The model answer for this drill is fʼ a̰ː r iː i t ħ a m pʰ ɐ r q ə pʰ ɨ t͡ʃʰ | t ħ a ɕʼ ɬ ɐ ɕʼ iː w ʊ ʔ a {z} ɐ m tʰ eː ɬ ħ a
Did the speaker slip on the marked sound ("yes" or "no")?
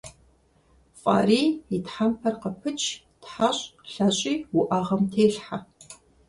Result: yes